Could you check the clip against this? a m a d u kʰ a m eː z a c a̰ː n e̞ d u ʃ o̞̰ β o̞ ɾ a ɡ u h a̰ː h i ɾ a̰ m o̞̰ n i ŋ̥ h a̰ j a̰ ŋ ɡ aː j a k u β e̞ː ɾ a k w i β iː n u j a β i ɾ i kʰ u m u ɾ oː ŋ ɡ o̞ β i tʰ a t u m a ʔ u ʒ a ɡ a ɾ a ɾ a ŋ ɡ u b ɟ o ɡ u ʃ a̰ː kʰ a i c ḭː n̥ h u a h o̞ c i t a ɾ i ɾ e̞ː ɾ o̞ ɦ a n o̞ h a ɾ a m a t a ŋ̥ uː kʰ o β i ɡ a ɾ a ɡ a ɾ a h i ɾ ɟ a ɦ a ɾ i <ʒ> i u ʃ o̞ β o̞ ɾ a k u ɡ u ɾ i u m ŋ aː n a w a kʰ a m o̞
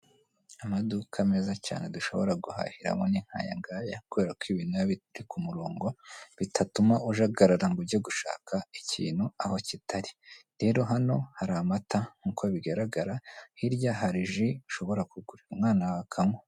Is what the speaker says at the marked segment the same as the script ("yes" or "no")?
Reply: yes